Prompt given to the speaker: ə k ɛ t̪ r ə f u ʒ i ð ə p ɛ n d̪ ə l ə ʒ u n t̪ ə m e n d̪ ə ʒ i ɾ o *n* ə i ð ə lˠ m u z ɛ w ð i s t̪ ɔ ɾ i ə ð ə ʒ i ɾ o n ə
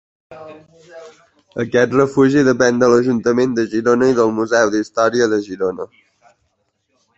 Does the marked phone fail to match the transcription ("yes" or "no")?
no